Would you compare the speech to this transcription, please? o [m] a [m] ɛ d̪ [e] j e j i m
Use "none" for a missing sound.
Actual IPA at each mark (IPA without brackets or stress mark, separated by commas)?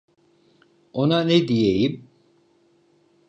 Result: n, n, i